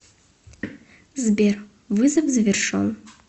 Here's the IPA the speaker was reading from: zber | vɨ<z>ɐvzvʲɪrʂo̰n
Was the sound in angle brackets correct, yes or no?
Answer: yes